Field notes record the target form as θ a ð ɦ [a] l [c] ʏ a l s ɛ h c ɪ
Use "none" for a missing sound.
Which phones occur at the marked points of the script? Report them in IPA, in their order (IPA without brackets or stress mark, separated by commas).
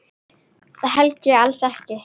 ɛ, c